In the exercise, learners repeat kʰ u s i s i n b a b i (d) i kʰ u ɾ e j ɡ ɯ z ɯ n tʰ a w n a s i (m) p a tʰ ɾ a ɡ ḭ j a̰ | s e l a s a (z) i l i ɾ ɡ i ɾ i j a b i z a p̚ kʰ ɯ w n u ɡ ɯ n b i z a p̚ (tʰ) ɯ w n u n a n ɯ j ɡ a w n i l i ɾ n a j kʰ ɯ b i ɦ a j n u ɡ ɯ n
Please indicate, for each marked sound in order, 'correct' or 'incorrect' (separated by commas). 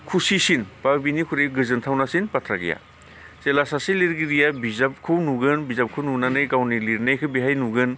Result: incorrect, incorrect, incorrect, incorrect